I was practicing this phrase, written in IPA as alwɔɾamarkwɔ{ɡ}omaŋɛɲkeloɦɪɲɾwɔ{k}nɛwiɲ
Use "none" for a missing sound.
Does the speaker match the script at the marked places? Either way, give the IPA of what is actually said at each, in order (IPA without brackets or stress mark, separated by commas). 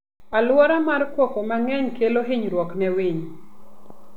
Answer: k, k